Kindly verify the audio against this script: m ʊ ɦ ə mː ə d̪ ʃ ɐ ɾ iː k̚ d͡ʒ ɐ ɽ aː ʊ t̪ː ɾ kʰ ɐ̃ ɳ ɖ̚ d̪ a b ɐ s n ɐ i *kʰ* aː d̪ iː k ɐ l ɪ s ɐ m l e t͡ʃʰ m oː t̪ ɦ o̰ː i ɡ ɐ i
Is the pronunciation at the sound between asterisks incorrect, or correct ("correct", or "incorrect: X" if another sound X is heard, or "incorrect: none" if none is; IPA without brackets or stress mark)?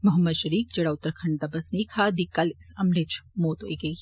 correct